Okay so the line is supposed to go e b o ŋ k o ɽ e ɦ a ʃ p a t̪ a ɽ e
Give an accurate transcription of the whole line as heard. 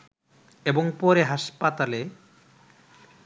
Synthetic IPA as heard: e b o ŋ p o ɾ e ɦ a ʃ p a t̪ a l e